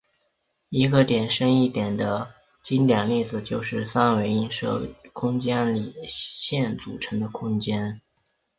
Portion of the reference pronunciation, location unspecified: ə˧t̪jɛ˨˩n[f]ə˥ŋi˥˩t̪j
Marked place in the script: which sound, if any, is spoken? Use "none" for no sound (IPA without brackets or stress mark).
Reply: ʂ